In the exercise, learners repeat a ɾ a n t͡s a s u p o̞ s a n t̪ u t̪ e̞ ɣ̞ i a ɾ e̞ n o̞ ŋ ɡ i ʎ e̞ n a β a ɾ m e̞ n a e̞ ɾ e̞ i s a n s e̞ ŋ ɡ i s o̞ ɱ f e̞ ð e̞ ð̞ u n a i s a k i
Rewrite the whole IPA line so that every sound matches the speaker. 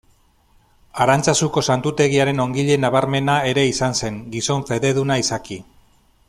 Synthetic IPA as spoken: a ɾ a n t͡s a s u k o̞ s a n t̪ u t̪ e̞ ɣ̞ i a ɾ e̞ n o̞ ŋ ɡ i ʎ e̞ n a β a ɾ m e̞ n a e̞ ɾ e̞ i s a n s e̞ ŋ ɡ i s o̞ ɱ f e̞ ð e̞ ð̞ u n a i s a k i